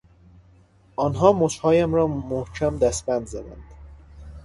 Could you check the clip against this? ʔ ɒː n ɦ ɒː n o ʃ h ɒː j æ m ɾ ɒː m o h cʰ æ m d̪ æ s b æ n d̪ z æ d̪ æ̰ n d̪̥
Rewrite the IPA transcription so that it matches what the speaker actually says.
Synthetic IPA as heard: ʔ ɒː n ɦ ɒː m o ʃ h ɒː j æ m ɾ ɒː m o h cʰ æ m d̪ æ s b æ n d̪ z æ d̪ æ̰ n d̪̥